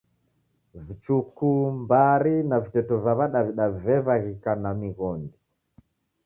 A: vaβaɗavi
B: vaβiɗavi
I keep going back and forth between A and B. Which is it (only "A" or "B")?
A